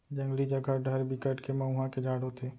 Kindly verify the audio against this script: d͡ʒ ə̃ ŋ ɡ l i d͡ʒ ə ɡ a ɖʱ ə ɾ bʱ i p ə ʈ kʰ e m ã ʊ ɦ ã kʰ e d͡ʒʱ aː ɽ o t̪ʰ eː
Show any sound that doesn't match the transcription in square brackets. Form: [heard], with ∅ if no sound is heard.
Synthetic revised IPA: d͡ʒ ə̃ ŋ ɡ l i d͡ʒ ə ɡ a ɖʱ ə ɾ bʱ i [k] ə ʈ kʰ e m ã ʊ ɦ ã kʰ e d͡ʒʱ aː ɽ o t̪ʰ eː